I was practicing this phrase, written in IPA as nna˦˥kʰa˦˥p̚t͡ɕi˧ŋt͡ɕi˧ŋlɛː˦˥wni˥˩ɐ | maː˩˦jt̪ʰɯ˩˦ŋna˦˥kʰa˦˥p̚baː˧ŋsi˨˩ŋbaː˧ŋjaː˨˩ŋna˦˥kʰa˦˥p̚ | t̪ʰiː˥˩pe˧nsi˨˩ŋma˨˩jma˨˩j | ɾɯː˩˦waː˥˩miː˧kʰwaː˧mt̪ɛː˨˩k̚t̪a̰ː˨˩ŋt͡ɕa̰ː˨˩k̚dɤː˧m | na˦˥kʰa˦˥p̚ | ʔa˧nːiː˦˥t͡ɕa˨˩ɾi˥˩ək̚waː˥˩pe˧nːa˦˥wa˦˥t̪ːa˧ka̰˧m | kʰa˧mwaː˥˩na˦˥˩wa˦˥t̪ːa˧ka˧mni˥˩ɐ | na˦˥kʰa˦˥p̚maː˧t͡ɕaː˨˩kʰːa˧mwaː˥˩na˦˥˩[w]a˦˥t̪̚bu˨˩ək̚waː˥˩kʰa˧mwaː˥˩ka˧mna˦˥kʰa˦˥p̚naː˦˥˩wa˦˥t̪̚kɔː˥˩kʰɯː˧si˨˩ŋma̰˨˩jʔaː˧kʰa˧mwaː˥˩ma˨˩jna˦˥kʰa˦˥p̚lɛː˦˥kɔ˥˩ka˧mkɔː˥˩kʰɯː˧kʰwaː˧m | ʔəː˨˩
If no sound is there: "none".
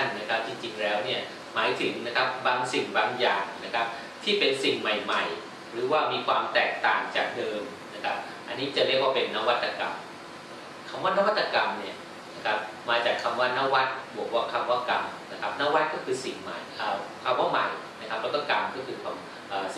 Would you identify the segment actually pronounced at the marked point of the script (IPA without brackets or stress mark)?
w